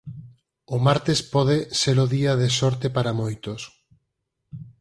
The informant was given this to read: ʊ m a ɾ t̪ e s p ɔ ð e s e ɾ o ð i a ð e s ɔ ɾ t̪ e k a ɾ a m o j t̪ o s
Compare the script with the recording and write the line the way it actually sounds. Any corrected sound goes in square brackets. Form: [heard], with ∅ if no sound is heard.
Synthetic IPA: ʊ m a ɾ t̪ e s p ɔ ð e s e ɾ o ð i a ð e s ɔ ɾ t̪ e [p] a ɾ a m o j t̪ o s

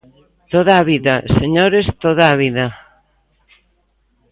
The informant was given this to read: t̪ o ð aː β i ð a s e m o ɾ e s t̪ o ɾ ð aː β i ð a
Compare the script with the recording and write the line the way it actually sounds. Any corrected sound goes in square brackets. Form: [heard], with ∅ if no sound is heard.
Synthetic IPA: t̪ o ð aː β i ð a s e [ɲ] o ɾ e s t̪ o [∅] ð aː β i ð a

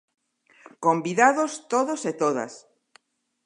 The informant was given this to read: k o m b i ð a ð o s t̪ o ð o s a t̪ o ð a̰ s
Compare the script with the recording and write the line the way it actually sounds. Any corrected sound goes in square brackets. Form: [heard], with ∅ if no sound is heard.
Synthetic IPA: k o m b i ð a ð o s t̪ o ð o s [e] t̪ o ð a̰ s

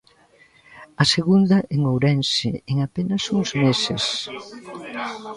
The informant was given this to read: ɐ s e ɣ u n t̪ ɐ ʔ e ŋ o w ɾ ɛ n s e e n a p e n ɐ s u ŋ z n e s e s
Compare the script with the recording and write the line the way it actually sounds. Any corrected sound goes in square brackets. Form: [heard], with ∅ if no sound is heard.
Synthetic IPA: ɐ s e ɣ u n [d̪] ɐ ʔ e ŋ o w ɾ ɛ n s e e [ŋ] a p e n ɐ s u ŋ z [m] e s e s

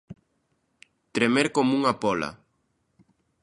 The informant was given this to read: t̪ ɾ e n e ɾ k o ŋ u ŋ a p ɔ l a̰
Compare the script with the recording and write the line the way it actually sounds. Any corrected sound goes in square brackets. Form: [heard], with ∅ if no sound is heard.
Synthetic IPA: t̪ ɾ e [m] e ɾ k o [m] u ŋ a p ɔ l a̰

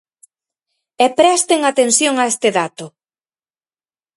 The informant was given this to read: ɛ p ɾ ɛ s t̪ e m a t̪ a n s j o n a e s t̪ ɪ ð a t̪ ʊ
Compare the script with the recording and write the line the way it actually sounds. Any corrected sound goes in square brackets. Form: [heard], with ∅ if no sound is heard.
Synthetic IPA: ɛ p ɾ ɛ s t̪ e [ŋ] a t̪ [e] n s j o [ŋ] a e s t̪ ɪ ð a t̪ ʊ

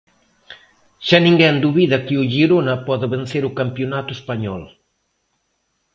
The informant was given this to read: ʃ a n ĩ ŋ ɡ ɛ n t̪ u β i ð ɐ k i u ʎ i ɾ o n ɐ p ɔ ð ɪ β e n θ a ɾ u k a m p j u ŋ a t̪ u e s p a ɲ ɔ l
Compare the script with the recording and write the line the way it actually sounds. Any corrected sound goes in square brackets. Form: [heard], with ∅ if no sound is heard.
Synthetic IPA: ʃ a n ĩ ŋ ɡ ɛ n [d̪] u β i ð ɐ k i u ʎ i ɾ o n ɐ p ɔ ð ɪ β e n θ [e] ɾ u k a m p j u [n] a t̪ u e s p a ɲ ɔ l

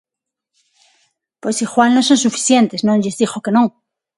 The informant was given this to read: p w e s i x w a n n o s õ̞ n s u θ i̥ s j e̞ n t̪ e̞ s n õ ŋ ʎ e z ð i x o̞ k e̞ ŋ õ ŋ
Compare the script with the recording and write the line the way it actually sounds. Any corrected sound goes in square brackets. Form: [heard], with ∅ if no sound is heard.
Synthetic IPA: p w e s i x w a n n o s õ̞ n s u [f] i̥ [θ] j e̞ n t̪ e̞ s n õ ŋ ʎ e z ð i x o̞ k e̞ [n] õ ŋ

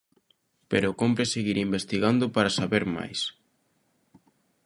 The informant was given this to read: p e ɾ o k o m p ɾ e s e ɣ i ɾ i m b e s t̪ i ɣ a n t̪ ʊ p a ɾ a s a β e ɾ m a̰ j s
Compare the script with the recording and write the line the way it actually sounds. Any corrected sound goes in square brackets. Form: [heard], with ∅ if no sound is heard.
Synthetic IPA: p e ɾ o k o m p ɾ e s e ɣ i ɾ i m b e s t̪ i ɣ a n [d̪] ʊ p a ɾ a s a β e ɾ m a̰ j s

